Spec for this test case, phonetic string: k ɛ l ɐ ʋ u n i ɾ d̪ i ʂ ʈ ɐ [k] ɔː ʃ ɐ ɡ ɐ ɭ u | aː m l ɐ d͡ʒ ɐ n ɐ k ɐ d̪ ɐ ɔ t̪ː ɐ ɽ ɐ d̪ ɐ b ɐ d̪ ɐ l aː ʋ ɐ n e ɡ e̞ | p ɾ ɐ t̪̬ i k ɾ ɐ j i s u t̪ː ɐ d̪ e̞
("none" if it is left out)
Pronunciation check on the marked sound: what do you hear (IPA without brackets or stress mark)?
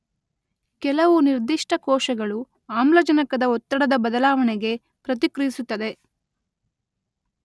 k